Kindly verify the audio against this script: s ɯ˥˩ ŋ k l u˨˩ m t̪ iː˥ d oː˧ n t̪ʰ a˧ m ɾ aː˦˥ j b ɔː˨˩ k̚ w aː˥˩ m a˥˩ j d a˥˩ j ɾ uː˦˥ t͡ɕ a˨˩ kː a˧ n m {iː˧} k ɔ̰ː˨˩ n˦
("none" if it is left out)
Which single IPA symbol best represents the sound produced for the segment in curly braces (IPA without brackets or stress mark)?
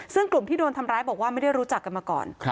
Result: aː˧